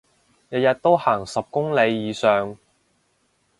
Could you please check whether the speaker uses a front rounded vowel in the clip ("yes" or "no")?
yes